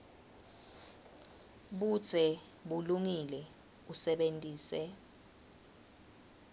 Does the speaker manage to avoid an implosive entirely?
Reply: no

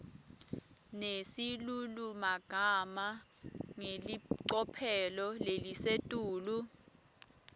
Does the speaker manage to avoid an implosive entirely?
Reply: yes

